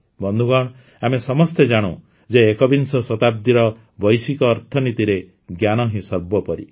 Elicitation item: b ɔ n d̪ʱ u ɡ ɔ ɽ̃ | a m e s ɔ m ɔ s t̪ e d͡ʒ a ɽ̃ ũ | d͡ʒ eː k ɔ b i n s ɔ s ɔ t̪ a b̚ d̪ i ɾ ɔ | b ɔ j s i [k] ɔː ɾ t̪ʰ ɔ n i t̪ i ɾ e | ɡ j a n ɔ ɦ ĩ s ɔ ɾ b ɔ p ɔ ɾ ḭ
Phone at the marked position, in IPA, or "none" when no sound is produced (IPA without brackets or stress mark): k